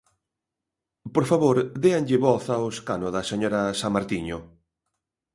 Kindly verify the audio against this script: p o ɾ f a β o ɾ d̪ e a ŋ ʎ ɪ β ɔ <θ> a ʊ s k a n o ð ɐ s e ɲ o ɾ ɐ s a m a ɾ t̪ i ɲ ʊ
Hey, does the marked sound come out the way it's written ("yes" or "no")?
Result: yes